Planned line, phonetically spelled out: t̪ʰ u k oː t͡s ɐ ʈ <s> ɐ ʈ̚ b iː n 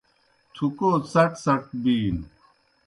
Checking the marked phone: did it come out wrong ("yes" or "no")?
no